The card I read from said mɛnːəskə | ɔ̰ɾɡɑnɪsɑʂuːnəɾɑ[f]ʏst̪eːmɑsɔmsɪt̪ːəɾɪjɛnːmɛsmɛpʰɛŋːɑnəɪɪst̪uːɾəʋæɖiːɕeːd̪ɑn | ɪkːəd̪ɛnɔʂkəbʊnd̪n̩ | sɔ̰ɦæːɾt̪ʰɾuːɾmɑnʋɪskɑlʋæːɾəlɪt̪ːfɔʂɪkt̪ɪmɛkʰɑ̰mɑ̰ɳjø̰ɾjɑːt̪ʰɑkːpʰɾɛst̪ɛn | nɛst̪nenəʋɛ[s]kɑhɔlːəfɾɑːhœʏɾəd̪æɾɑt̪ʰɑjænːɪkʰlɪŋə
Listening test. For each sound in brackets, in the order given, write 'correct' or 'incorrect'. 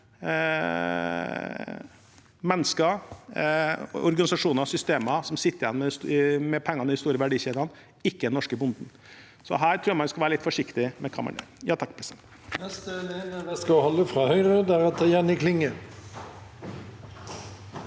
incorrect: s, correct

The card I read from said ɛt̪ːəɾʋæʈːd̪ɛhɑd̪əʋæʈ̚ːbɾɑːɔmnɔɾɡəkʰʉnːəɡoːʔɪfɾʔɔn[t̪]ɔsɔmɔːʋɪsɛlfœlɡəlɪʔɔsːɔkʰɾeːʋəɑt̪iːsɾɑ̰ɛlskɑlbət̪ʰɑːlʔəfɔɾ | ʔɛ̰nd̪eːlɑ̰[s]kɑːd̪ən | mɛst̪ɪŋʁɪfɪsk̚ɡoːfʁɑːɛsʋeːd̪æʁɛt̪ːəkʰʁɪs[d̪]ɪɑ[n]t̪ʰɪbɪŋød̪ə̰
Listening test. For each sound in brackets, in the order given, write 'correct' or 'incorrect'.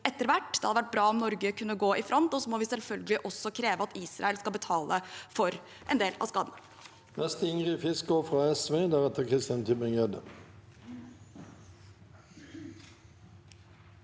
correct, correct, incorrect: t̪, correct

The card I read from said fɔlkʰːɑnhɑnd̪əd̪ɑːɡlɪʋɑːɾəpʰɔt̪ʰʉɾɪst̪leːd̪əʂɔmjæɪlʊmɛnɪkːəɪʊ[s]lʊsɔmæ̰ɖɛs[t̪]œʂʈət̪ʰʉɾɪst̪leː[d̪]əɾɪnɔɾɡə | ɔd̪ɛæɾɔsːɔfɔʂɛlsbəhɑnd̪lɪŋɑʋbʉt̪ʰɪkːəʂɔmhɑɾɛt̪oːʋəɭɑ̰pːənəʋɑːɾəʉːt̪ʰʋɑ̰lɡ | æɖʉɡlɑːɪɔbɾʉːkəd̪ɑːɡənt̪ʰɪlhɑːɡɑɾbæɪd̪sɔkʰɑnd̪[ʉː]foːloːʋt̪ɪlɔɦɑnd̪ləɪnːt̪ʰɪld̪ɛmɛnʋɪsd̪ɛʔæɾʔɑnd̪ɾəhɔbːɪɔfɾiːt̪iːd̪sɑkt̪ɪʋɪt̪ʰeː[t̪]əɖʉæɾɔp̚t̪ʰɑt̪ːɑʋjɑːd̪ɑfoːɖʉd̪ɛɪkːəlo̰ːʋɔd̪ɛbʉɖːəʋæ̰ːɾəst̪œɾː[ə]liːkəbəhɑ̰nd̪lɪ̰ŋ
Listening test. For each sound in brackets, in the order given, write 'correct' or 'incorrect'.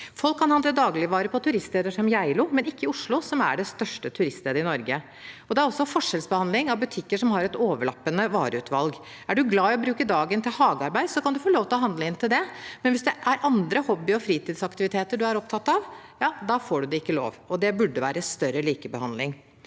incorrect: ʂ, correct, correct, incorrect: ʉ, correct, correct

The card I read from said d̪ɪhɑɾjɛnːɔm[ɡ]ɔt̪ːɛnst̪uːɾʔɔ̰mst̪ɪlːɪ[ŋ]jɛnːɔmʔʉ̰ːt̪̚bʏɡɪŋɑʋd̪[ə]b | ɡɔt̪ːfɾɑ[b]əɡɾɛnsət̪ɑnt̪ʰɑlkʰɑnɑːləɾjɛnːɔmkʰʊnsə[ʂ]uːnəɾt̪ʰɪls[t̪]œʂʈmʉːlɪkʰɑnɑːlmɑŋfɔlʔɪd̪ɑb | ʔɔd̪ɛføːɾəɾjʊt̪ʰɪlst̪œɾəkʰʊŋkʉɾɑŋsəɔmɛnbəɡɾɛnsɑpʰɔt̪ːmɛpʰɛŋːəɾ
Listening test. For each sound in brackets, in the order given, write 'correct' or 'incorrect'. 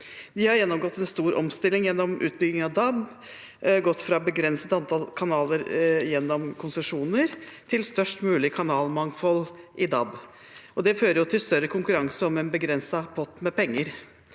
correct, correct, incorrect: ɑ, correct, correct, correct

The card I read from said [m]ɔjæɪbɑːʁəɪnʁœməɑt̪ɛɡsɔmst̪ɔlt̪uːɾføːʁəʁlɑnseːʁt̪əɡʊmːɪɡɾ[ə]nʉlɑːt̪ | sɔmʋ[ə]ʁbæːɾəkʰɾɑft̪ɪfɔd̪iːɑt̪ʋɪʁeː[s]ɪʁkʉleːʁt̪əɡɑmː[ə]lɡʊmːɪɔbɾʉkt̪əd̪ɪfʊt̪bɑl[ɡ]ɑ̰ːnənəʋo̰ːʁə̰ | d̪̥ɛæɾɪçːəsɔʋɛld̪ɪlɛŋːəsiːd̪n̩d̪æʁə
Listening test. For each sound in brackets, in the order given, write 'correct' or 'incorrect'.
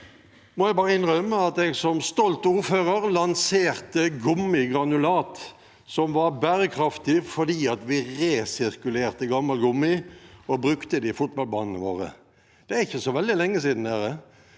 correct, incorrect: ɑ, incorrect: ɑ, correct, incorrect: ɑ, incorrect: b

